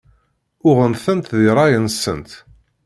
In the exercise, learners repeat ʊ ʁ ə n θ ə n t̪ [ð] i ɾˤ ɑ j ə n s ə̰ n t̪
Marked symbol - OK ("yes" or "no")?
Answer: yes